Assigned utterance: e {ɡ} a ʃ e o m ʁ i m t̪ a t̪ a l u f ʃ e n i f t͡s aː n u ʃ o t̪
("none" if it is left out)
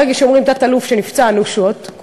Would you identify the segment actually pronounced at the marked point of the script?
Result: ɡ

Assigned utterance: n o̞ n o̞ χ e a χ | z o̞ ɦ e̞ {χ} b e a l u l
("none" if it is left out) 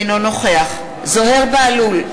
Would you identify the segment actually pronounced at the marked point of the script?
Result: ʁ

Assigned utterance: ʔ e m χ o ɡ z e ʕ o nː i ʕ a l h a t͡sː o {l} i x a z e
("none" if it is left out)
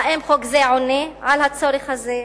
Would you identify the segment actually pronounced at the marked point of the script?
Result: ɾ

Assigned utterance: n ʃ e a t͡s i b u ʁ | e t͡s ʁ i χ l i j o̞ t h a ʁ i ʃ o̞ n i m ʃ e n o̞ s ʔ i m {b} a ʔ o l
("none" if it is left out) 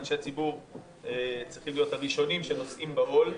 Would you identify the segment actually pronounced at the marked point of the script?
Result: b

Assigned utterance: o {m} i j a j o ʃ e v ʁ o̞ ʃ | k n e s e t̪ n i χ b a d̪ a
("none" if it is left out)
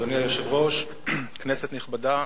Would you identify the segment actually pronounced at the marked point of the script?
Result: n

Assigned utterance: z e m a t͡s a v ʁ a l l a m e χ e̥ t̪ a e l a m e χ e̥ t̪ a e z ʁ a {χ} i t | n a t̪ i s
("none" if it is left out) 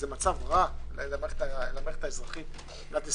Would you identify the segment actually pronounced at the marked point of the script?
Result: χ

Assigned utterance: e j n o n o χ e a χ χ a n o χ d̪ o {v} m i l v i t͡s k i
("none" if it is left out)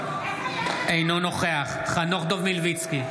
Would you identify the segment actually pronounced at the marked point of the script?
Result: v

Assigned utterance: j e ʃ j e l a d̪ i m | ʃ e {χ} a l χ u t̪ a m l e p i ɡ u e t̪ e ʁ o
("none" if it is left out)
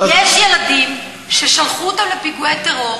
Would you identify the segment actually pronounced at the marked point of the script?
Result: ʃ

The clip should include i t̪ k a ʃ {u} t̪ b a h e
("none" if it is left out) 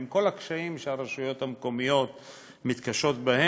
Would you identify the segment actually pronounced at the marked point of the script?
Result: o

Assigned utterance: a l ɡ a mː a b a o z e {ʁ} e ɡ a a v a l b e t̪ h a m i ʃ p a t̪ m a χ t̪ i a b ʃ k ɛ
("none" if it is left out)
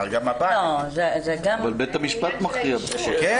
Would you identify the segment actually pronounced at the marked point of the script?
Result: z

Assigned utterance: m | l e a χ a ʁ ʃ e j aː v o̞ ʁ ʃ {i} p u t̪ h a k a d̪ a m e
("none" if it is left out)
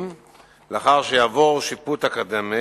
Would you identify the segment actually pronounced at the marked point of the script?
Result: i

